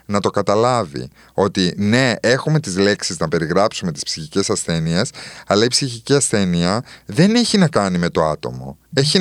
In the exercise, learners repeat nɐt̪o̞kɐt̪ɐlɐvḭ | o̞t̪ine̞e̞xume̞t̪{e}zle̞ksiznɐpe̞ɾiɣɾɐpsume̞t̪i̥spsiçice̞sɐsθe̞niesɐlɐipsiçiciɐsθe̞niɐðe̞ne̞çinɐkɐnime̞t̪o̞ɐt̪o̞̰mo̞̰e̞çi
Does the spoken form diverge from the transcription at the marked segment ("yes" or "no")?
yes